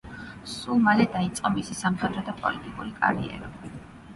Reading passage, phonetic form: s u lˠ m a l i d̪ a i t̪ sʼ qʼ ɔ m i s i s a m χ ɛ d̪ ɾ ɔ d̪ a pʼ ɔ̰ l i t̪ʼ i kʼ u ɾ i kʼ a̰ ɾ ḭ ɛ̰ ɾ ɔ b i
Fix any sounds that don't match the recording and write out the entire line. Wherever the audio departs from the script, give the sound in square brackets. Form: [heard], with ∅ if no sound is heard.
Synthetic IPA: s u lˠ m a l [ɛ] d̪ a i t̪ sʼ qʼ ɔ m i s i s a m χ ɛ d̪ ɾ ɔ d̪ a pʼ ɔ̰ l i t̪ʼ i kʼ u ɾ i kʼ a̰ ɾ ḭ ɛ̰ ɾ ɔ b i

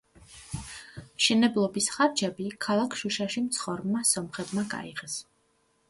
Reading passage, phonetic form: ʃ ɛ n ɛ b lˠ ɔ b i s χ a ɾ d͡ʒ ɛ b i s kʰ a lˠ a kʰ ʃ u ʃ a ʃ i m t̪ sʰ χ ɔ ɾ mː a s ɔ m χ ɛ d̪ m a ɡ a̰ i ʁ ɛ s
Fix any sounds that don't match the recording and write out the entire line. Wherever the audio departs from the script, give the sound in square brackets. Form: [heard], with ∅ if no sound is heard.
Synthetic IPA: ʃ ɛ n ɛ b lˠ ɔ b i s χ a ɾ d͡ʒ ɛ b i [∅] kʰ a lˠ a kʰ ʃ u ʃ a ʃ i m t̪ sʰ χ ɔ ɾ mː a s ɔ m χ ɛ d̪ m a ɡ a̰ i ʁ ɛ s

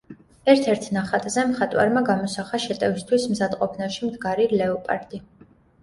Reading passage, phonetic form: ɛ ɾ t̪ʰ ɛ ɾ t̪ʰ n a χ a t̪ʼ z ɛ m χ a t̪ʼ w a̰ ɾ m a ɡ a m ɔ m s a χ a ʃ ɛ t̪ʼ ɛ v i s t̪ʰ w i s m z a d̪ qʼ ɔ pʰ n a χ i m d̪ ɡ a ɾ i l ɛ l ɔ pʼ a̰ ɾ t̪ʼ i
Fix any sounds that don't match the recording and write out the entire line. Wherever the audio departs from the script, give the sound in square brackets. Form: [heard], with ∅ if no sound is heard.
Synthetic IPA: ɛ ɾ t̪ʰ ɛ ɾ t̪ʰ n a χ a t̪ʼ z ɛ m χ a t̪ʼ w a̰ ɾ m a ɡ a m ɔ [∅] s a χ a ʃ ɛ t̪ʼ ɛ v i s t̪ʰ w i s m z a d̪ qʼ ɔ pʰ n a [ʃ] i m d̪ ɡ a ɾ i l ɛ [∅] ɔ pʼ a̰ ɾ t̪ʼ i

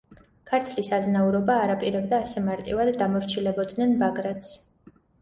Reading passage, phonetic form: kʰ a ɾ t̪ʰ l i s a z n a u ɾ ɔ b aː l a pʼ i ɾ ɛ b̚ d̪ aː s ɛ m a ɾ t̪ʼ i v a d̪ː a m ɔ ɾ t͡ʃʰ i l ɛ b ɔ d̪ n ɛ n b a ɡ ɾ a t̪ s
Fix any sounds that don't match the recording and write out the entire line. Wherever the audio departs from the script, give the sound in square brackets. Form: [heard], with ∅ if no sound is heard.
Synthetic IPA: kʰ a ɾ t̪ʰ l i s a z n a u ɾ ɔ b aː [ɾ] a pʼ i ɾ ɛ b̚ d̪ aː s ɛ m a ɾ t̪ʼ i v a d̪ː a m ɔ ɾ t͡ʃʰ i l ɛ b ɔ d̪ n ɛ n b a ɡ ɾ a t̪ s

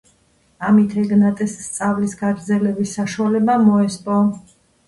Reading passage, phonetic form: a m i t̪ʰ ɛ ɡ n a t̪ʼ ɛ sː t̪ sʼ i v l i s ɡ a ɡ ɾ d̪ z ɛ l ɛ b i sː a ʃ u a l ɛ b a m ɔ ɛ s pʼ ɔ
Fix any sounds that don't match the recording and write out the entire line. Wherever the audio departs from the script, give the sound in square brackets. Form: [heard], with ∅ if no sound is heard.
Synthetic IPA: a m i t̪ʰ ɛ ɡ n a t̪ʼ ɛ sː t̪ sʼ [a] v l i s ɡ a ɡ ɾ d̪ z ɛ l ɛ b i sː a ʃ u a l ɛ b a m ɔ ɛ s pʼ ɔ

